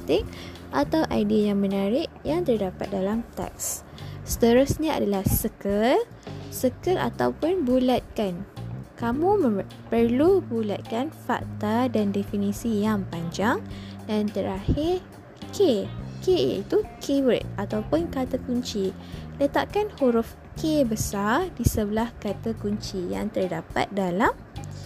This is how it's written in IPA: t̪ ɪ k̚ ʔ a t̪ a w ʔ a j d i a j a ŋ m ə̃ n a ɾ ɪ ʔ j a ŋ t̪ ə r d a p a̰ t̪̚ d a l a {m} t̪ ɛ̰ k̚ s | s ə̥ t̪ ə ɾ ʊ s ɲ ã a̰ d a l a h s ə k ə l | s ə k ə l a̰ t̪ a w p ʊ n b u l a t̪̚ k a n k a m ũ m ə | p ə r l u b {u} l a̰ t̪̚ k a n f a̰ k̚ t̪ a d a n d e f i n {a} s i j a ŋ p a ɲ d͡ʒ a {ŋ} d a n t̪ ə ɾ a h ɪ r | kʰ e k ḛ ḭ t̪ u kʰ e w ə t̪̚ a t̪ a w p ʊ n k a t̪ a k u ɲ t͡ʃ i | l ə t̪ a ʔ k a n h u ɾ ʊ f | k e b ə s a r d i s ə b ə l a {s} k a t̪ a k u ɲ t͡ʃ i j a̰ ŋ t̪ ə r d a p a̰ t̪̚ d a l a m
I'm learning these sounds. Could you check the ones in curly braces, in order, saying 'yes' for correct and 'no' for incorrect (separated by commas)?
yes, yes, no, yes, no